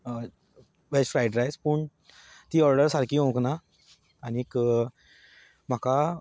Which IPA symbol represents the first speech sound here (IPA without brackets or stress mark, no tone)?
ʋ